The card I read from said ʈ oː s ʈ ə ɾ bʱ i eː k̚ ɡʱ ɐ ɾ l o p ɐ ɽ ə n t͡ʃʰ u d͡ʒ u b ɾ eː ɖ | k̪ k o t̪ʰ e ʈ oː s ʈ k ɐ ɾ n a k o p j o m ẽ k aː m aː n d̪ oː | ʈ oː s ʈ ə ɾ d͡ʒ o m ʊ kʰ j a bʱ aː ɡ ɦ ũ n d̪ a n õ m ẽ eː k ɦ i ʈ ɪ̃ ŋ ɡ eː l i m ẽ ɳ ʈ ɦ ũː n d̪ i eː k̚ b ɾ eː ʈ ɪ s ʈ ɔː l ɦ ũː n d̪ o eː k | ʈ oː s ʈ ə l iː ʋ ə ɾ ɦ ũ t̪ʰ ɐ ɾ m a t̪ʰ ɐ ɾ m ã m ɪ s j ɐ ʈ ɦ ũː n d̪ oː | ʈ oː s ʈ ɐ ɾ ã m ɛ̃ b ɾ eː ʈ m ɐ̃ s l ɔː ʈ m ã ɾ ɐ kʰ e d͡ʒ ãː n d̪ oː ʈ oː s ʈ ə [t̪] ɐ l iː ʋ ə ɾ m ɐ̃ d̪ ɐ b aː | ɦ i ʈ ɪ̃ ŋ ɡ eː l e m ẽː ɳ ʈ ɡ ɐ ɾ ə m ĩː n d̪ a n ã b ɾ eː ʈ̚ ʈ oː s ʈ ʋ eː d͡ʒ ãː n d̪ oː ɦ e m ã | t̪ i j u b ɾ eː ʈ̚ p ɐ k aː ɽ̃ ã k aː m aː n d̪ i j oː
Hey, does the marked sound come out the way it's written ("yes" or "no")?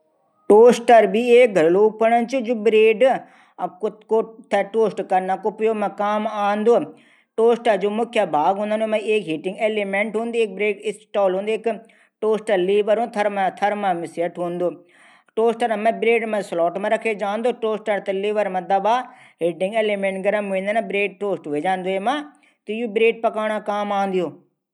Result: yes